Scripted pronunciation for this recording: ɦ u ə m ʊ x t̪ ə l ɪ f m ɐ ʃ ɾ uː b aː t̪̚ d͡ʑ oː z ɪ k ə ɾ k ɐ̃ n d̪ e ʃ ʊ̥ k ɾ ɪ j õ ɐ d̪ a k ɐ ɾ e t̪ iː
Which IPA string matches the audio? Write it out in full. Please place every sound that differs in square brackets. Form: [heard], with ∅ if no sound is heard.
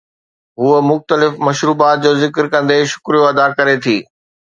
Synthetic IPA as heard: ɦ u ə m ʊ x t̪ ə l ɪ f m ɐ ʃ ɾ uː b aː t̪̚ d͡ʑ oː z ɪ k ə ɾ k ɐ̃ n d̪ e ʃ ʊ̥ k ɾ [i] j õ ɐ d̪ a k ɐ ɾ e [t̪ʰ] iː